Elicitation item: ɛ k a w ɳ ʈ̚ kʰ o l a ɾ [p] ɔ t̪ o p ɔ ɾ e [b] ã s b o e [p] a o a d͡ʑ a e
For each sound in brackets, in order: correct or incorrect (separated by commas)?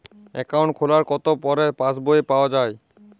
incorrect, incorrect, correct